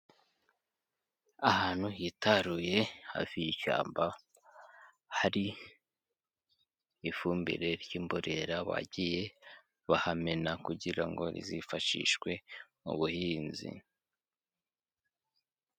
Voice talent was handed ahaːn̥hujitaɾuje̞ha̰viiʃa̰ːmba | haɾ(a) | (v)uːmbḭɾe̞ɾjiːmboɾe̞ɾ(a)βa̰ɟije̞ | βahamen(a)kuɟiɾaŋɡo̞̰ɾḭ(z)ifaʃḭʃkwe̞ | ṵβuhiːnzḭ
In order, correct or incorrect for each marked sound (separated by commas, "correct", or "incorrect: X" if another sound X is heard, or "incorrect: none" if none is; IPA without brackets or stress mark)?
incorrect: i, incorrect: f, correct, correct, correct